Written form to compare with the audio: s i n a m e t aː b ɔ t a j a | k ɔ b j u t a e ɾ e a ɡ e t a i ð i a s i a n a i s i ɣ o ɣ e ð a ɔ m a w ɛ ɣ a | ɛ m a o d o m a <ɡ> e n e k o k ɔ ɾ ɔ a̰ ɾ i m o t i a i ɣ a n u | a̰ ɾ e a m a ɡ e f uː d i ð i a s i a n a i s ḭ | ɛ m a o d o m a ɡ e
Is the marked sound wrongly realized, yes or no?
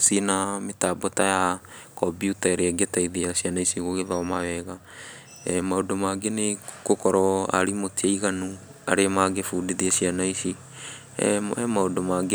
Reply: no